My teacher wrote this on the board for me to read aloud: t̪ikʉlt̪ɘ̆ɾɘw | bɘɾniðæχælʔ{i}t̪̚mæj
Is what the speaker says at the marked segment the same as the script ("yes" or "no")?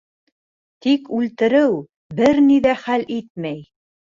yes